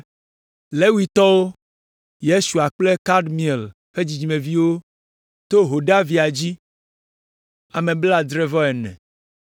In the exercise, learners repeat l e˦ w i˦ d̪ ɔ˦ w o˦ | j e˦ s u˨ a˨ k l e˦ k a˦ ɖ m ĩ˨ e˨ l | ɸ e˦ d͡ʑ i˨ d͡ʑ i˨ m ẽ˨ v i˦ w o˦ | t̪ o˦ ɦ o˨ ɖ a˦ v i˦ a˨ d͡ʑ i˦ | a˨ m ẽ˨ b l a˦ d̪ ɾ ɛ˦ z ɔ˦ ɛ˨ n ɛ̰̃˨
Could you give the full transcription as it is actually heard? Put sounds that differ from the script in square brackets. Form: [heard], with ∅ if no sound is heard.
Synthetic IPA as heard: l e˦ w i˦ [t̪] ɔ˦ w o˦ | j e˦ s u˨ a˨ [k͡p] l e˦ k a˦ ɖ m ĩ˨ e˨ l | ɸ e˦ d͡ʑ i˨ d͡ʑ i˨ m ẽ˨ v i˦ w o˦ | t̪ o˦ ɦ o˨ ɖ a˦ v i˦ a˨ d͡ʑ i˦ | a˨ m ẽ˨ b l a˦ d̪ ɾ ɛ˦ [v] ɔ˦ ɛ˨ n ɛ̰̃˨